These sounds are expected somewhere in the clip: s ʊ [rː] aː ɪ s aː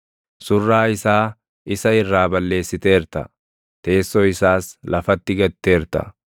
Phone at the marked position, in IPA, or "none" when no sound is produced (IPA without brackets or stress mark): rː